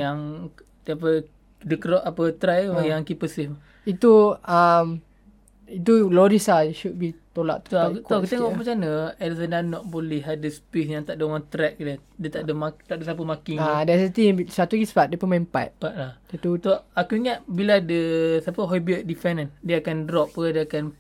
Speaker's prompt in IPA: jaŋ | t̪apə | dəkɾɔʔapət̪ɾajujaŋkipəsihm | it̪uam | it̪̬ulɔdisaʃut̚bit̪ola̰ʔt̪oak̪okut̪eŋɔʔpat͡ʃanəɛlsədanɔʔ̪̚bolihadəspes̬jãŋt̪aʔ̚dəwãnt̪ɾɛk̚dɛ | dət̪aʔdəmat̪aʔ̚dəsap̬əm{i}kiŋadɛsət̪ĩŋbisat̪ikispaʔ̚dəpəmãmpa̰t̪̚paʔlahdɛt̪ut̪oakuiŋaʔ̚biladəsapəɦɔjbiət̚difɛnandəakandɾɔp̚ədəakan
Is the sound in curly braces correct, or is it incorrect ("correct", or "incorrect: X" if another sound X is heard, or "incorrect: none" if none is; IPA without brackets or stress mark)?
incorrect: a